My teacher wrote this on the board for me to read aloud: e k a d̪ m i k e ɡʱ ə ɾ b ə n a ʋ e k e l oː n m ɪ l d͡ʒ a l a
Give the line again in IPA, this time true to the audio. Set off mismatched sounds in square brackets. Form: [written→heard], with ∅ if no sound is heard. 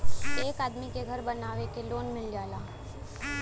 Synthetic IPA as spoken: e k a d̪ m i k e ɡʱ ə ɾ b ə n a ʋ e k e l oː n m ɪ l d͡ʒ a l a